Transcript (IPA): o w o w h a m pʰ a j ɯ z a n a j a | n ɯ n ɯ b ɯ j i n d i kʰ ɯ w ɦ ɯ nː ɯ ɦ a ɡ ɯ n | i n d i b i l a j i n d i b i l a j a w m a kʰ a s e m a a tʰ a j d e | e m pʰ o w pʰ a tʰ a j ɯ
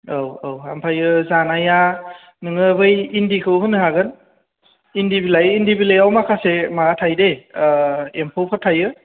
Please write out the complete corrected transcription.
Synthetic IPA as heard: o w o w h a m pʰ a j ɯ z a n a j a | n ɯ ŋ ɯ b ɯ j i n d i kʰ ɯ w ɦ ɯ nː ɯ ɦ a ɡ ɯ n | i n d i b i l a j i n d i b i l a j a w m a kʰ a s e m a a tʰ a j d e | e m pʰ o w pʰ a tʰ a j ɯ

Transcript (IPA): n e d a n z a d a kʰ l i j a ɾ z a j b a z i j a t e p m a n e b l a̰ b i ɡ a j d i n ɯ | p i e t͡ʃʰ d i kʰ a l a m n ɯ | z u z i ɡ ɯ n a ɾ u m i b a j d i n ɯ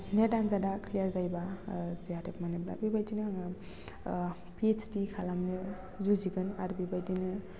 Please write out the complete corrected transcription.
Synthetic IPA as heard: n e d a n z a d a kʰ l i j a ɾ z a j b a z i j a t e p m a n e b l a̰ b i b a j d i n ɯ | p i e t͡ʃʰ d i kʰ a l a m n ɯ | z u z i ɡ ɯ n a ɾ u b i b a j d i n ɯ

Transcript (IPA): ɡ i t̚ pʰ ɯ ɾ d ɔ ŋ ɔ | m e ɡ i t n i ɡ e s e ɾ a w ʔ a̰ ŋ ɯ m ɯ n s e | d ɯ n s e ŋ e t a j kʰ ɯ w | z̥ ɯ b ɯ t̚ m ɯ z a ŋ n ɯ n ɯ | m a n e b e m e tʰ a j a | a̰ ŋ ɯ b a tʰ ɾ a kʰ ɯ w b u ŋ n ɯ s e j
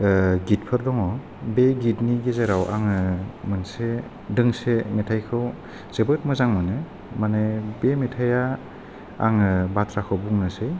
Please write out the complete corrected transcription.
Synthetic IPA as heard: ɡ i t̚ pʰ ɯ ɾ d ɔ ŋ ɔ | b e ɡ i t n i ɡ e z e ɾ a w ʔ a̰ ŋ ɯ m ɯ n s e | d ɯ ŋ s e m e tʰ a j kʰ ɯ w | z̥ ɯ b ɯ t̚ m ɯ z a ŋ m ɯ n ɯ | m a n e b e m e tʰ a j a | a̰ ŋ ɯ b a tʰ ɾ a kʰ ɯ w b u ŋ n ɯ s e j

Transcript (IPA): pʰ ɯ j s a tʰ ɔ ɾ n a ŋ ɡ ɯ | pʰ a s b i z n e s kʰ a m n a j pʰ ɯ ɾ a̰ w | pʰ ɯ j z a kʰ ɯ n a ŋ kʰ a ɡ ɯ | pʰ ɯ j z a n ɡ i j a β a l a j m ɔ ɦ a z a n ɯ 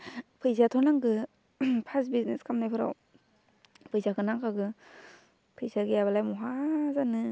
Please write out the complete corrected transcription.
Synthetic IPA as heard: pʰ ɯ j z a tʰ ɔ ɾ n a ŋ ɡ ɯ | pʰ a s b i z n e s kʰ a m n a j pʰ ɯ ɾ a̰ w | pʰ ɯ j z a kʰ ɯ n a ŋ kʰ a ɡ ɯ | pʰ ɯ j z a ɡ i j a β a l a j m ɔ ɦ a z a n ɯ

